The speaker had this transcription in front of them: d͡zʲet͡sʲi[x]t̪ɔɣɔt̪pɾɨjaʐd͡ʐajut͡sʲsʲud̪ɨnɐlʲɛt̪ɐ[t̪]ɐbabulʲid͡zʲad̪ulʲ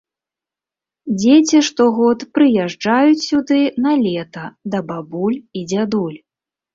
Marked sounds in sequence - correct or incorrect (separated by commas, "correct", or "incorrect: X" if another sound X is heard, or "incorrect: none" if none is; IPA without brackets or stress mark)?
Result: incorrect: ʂ, incorrect: d̪